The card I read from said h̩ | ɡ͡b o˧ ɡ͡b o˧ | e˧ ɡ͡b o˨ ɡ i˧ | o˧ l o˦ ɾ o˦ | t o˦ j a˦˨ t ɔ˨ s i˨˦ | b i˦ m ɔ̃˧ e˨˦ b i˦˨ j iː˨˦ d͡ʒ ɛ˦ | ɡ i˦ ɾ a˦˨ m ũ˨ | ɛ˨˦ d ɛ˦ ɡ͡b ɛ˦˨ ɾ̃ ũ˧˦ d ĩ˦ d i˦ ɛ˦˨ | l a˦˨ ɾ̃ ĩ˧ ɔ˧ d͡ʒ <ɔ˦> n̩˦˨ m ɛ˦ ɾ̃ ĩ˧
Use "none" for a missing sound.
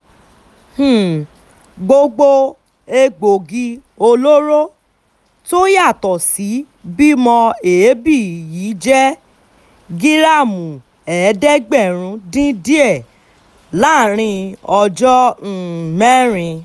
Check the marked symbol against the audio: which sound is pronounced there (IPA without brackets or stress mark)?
ɔ˦